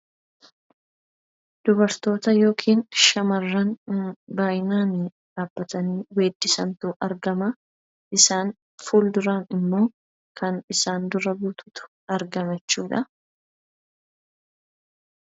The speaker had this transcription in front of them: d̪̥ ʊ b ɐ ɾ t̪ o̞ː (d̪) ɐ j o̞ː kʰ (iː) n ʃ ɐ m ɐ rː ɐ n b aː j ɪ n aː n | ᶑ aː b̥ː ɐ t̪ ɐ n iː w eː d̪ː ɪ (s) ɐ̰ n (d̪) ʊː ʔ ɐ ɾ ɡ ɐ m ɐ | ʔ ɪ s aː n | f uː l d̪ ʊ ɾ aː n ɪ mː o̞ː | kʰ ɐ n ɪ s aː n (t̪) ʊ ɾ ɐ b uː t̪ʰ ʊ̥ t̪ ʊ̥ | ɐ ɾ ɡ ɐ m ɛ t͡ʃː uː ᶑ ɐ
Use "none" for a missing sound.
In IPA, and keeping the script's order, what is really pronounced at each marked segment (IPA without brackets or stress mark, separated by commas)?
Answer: t̪, iː, s, t̪, d̪